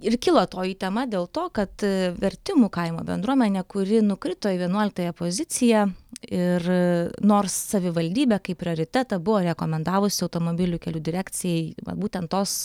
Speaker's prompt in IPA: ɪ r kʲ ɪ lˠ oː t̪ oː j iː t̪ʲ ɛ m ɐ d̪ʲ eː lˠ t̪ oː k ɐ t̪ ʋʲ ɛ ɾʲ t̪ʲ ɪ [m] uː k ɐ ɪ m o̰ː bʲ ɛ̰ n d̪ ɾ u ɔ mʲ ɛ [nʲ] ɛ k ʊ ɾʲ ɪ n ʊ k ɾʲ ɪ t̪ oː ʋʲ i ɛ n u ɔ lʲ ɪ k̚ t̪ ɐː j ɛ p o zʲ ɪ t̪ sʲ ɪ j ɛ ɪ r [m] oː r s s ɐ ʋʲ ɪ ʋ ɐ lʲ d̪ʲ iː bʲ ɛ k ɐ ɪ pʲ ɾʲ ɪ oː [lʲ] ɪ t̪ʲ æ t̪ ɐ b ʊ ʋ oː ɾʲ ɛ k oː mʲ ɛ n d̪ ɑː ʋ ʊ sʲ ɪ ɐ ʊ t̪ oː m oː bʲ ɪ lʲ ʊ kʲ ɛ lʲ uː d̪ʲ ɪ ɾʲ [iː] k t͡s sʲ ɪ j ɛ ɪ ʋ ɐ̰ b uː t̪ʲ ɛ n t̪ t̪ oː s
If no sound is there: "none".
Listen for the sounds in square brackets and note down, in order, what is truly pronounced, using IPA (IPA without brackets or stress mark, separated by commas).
m, nʲ, n, ɾʲ, æː